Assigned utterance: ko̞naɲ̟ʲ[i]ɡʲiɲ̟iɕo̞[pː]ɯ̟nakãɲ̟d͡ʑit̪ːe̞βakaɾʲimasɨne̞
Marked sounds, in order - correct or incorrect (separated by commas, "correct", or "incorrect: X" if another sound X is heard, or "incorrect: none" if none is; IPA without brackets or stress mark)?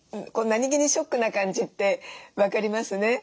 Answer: correct, incorrect: kː